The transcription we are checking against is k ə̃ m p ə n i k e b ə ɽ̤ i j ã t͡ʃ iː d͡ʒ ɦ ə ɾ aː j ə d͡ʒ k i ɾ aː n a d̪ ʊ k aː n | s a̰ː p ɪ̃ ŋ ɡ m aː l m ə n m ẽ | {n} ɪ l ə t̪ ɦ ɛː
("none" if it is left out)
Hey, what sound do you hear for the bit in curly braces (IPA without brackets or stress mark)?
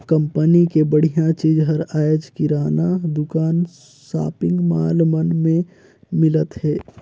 m